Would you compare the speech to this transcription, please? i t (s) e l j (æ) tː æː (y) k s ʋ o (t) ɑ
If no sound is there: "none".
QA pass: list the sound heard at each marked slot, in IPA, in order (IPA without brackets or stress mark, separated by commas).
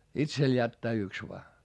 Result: s, æ, y, none